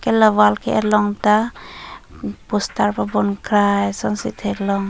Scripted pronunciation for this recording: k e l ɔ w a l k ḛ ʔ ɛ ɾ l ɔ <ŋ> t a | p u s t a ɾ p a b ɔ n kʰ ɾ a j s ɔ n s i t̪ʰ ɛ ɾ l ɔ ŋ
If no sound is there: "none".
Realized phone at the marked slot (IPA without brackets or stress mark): ŋ